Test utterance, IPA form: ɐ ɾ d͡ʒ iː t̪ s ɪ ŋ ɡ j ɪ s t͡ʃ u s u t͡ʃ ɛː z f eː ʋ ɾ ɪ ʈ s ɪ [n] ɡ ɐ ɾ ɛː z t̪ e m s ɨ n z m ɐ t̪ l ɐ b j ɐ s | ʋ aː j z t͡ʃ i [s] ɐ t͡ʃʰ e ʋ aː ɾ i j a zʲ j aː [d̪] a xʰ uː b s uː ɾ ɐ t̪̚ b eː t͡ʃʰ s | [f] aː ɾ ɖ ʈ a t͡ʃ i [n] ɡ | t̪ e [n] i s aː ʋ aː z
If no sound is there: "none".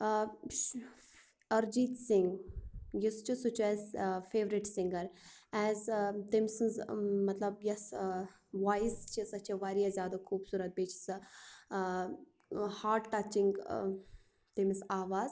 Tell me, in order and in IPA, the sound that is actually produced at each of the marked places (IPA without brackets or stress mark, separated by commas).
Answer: ŋ, s, d̪, h, ŋ, m